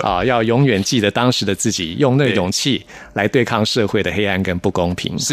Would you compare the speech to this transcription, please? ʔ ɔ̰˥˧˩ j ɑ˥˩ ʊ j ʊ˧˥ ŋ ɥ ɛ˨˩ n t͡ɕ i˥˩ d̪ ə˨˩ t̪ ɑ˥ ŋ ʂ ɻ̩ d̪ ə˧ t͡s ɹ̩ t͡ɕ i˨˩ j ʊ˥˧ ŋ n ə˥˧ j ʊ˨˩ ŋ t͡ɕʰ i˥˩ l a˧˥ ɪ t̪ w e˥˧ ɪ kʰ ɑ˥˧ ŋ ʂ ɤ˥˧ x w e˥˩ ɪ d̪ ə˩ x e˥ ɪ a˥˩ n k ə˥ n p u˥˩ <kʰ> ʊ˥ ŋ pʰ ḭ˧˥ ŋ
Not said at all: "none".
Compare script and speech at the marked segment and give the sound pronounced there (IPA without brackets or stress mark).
k